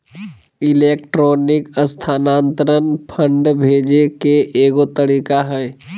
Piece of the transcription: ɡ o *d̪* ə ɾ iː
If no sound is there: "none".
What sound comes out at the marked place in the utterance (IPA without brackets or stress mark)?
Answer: t̪